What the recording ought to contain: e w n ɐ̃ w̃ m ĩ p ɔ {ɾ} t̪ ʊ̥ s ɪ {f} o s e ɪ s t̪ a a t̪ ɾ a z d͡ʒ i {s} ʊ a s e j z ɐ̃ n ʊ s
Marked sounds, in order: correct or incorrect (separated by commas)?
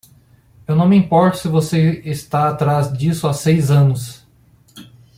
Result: correct, incorrect, correct